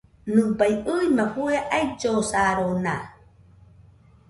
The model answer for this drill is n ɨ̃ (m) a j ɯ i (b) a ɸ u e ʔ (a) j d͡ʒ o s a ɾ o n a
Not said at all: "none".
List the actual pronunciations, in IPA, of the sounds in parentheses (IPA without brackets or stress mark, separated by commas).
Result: b, m, a